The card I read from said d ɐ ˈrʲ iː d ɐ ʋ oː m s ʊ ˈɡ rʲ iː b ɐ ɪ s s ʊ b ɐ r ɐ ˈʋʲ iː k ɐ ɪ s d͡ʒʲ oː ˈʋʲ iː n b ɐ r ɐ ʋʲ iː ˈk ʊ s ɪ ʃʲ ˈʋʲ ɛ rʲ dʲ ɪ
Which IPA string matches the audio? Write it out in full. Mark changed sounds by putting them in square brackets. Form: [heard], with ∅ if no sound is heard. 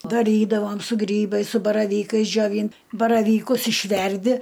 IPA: d ɐ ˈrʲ iː d ɐ ʋ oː m s ʊ ˈɡ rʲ iː b ɐ ɪ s s ʊ b ɐ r ɐ ˈʋʲ iː k ɐ ɪ s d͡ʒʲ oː ˈʋʲ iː n b ɐ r ɐ ʋʲ iː ˈk ʊ s ɪ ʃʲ ˈʋʲ ɛ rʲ dʲ ɪ

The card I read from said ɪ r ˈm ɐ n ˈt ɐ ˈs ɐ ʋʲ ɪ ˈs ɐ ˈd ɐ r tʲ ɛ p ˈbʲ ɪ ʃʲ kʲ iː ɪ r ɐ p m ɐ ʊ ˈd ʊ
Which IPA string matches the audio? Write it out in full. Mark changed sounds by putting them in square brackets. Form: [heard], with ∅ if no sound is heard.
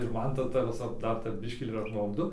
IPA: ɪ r ˈm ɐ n ˈt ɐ [ˈt] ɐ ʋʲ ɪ ˈs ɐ ˈd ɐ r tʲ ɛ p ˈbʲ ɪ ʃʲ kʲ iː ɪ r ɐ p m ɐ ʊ ˈd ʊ

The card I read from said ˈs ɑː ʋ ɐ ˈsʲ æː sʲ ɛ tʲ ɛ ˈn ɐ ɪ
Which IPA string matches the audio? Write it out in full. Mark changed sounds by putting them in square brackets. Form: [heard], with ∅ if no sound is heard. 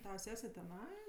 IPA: [ˈt] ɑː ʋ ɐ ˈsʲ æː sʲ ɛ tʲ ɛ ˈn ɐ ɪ

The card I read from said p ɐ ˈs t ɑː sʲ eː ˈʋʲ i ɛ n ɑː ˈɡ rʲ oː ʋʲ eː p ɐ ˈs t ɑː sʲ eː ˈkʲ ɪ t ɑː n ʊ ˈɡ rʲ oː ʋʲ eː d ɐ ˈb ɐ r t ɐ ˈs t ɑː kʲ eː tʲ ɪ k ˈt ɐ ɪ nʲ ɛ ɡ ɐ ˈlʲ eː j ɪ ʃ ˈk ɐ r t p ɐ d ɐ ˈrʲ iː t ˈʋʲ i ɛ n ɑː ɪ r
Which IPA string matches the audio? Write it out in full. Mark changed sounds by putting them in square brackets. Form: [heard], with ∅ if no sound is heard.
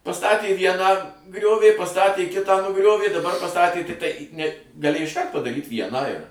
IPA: p ɐ ˈs t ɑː [tʲ] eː ˈʋʲ i ɛ n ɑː ˈɡ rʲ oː ʋʲ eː p ɐ ˈs t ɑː [tʲ] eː ˈkʲ ɪ t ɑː n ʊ ˈɡ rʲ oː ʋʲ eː d ɐ ˈb ɐ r [p] ɐ ˈs t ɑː [tʲ] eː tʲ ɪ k ˈt ɐ ɪ nʲ ɛ ɡ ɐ ˈlʲ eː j ɪ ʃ ˈk ɐ r t p ɐ d ɐ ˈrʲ iː t ˈʋʲ i ɛ n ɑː ɪ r

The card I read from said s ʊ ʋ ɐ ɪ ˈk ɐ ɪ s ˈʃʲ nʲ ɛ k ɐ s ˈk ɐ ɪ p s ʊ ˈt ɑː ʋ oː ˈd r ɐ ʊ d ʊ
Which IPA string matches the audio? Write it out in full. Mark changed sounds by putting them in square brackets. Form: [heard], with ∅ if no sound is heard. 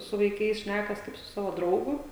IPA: s ʊ ʋ ɐ ɪ ˈk ɐ ɪ s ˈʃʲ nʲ [æ] k ɐ s ˈk ɐ ɪ p s ʊ [ˈs] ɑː ʋ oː ˈd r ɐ ʊ [ɡ] ʊ

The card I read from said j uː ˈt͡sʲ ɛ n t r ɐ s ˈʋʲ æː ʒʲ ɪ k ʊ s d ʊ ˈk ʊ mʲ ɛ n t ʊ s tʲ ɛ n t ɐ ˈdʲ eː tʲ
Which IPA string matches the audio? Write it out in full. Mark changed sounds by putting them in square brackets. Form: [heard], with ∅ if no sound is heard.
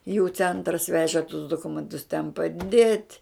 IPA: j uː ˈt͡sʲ ɛ n t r ɐ s ˈʋʲ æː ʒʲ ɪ [t] ʊ s d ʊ ˈk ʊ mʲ ɛ n t ʊ s tʲ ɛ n [p] ɐ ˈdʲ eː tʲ

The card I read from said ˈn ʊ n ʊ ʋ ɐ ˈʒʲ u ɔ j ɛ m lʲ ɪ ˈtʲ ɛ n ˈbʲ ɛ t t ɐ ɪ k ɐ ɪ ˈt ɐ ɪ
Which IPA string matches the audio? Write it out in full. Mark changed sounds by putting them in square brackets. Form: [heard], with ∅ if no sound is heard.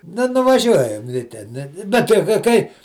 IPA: ˈn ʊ n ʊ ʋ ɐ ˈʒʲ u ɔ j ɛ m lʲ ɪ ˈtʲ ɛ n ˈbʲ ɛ t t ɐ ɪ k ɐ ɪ [ˈk] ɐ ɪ

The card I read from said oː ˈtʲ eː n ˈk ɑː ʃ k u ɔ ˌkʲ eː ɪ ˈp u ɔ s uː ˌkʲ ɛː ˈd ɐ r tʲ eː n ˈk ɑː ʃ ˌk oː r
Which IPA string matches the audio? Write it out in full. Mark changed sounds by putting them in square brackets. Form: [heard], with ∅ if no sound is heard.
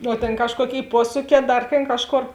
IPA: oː ˈtʲ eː n ˈk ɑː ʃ k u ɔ ˌkʲ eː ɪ ˈp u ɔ s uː ˌkʲ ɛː ˈd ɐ r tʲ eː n ˈk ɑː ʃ ˌk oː r

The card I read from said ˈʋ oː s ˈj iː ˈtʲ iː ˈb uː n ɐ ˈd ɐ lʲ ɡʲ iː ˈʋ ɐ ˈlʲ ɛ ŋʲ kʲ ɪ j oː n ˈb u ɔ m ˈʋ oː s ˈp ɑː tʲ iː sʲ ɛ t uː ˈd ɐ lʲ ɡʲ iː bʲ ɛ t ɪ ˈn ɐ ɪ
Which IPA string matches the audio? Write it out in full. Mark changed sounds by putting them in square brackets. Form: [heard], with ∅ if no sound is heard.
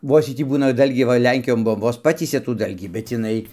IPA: ˈʋ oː s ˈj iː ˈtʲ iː ˈb uː n ɐ ˈd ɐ lʲ ɡʲ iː ˈʋ ɐ ˈlʲ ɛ ŋʲ kʲ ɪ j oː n ˈb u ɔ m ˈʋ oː s ˈp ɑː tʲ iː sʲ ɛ t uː ˈd ɐ lʲ ɡʲ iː bʲ ɛ t ɪ ˈn ɐ ɪ

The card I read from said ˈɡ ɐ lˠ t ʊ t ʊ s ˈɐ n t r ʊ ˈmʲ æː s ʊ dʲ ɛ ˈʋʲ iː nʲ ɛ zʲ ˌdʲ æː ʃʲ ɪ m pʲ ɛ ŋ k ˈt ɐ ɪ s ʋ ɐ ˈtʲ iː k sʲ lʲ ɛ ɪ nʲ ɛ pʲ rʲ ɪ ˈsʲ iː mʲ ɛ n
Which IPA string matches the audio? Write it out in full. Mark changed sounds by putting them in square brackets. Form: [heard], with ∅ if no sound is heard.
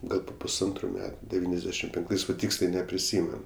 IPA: ˈɡ ɐ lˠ [p] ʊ [p] ʊ s ˈɐ n t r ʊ ˈmʲ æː [t] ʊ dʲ ɛ ˈʋʲ iː nʲ ɛ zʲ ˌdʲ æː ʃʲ ɪ m pʲ ɛ ŋ k ˈt ɐ ɪ s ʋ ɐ ˈtʲ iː k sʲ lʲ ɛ ɪ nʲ ɛ pʲ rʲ ɪ ˈsʲ iː mʲ ɛ n

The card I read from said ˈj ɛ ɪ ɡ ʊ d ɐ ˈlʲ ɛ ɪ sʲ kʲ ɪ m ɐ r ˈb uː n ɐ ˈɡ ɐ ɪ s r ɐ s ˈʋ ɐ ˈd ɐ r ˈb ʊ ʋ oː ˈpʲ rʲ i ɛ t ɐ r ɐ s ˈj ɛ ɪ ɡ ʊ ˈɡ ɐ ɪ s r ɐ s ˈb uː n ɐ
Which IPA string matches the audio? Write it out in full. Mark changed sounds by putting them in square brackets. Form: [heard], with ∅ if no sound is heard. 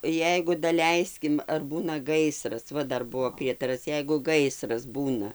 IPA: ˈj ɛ ɪ ɡ ʊ d ɐ ˈlʲ ɛ ɪ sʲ kʲ ɪ m ɐ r ˈb uː n ɐ ˈɡ ɐ ɪ s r ɐ s ˈʋ ɐ ˈd ɐ r ˈb ʊ ʋ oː ˈpʲ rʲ i ɛ t ɐ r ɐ s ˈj ɛ ɪ ɡ ʊ ˈɡ ɐ ɪ s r ɐ s ˈb uː n ɐ

